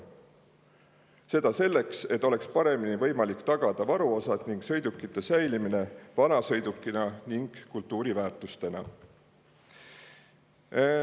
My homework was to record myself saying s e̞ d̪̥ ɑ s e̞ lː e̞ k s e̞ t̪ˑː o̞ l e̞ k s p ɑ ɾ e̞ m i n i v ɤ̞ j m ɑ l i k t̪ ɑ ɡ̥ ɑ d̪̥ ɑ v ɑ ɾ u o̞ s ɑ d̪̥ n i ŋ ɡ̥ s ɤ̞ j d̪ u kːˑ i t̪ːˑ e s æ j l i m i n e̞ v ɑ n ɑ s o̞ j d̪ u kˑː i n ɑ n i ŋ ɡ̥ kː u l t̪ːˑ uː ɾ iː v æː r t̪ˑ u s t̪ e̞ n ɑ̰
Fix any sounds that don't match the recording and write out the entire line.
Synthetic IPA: s e̞ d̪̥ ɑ s e̞ lː e̞ k s e̞ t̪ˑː o̞ l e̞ k s p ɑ ɾ e̞ m i n i v ɤ̞ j m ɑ l i k t̪ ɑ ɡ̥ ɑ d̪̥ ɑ v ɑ ɾ u o̞ s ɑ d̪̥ n i ŋ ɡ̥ s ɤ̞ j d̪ u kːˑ i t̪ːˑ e s æ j l i m i n e̞ v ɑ n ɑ s ɤ̞ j d̪ u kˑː i n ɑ n i ŋ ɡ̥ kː u l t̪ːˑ uː ɾ i v æː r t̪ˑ u s t̪ e̞ n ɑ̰